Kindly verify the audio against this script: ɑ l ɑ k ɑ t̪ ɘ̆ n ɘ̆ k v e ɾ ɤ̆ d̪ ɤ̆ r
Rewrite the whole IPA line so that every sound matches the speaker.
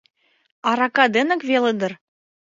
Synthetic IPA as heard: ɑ ɾ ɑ k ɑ d̪ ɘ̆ n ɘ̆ k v e l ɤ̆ d̪ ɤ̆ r

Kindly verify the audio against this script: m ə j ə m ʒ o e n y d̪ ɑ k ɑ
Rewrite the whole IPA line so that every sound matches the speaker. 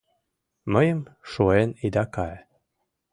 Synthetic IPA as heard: m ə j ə m ʃ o e n i d̪ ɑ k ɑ

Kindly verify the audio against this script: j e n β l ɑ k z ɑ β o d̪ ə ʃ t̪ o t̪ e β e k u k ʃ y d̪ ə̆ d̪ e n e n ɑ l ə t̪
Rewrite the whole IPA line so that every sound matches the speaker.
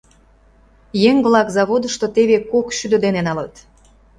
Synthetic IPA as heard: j e ŋ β l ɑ k z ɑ β o d̪ ə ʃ t̪ o t̪ e β e k o k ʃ y d̪ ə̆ d̪ e n e n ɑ l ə t̪

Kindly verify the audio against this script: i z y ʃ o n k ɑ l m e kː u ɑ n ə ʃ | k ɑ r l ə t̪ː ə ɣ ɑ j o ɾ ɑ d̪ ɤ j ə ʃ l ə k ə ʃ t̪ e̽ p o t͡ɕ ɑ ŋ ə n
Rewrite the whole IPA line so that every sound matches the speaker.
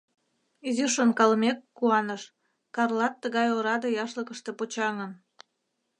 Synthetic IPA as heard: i z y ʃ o n k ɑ l m e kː u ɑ n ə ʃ | k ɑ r l ɑ t̪ː ə ɣ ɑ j o ɾ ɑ d̪ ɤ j ɑ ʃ l ə k ə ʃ t̪ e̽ p o t͡ɕ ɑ ŋ ə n

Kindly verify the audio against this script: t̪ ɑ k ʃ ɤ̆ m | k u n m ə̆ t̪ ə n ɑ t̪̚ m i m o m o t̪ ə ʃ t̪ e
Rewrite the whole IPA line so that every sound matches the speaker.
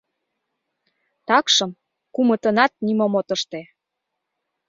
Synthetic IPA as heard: t̪ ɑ k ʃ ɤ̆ m | k u m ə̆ t̪ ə n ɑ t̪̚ n i m o m o t̪ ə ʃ t̪ e

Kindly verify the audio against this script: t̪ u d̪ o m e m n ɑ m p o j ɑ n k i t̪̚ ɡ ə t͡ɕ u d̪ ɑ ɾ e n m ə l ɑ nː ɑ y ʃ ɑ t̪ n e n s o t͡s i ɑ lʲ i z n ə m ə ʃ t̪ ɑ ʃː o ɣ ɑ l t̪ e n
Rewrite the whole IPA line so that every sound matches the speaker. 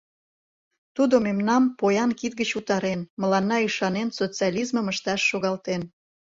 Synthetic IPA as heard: t̪ u d̪ o m e m n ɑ m p o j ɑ n k i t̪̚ ɡ ə t͡ɕ u t̪ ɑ ɾ e n m ə l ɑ nː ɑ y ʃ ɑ n e n s o t͡s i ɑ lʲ i z m ə m ə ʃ t̪ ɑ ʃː o ɣ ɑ l t̪ e n

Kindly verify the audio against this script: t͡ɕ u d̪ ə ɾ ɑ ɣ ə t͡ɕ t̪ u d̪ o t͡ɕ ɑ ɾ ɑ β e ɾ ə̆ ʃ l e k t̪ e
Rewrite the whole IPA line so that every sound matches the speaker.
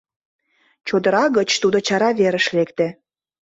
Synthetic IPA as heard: t͡ɕ o d̪ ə ɾ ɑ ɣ ə t͡ɕ t̪ u d̪ o t͡ɕ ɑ ɾ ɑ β e ɾ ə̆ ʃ l e k t̪ e

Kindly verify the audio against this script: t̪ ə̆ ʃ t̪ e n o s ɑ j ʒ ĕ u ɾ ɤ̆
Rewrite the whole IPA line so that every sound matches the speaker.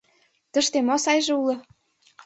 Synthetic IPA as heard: t̪ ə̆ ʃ t̪ e m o s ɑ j ʒ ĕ u l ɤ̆

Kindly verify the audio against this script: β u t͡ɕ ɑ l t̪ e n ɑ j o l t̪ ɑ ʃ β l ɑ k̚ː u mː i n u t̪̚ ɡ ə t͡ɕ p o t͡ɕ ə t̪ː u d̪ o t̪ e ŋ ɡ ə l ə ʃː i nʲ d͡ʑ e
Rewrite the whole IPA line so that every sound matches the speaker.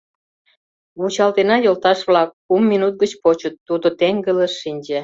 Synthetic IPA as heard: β u t͡ɕ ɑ l t̪ e n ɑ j o l t̪ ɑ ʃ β l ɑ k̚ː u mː i n u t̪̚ ɡ ə t͡ɕ p o t͡ɕ ə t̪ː u d̪ o t̪ e ŋ ɡ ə l ə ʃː i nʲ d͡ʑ e

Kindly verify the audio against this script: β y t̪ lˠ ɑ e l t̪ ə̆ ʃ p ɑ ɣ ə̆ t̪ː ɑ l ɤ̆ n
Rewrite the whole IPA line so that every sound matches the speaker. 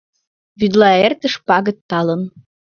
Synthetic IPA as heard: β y d̪ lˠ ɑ e r t̪ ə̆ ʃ p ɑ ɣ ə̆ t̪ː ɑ l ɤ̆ n

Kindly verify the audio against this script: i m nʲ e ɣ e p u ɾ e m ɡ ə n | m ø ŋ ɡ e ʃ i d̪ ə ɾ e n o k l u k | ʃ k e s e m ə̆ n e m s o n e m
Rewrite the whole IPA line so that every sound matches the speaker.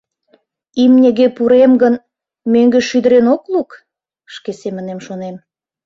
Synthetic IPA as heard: i m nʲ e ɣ e p u ɾ e m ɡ ə n | m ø ŋ ɡ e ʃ y d̪ ə ɾ e n o k l u k | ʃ k e s e m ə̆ n e m ʃ o n e m

